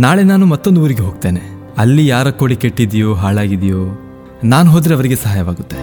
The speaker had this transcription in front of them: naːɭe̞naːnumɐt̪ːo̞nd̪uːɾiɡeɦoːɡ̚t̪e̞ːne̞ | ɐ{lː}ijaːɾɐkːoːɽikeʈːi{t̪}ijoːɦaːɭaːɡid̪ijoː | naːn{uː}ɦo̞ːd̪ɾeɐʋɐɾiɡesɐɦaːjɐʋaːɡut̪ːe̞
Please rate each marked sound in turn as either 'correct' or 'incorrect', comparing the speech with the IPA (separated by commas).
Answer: correct, incorrect, incorrect